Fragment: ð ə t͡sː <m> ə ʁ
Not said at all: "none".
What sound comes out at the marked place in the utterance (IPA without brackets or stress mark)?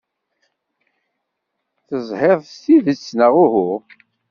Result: n